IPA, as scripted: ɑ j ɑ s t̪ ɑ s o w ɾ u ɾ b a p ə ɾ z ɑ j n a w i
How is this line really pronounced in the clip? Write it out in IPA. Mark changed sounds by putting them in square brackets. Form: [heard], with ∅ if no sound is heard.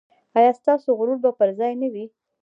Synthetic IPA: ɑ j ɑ s t̪ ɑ s o [ɣ] ɾ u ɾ b a p ə ɾ z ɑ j n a w i